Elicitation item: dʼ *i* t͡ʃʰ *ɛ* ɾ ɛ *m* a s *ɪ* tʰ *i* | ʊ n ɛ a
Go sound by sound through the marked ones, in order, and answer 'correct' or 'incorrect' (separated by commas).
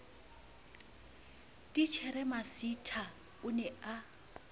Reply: correct, correct, correct, incorrect, incorrect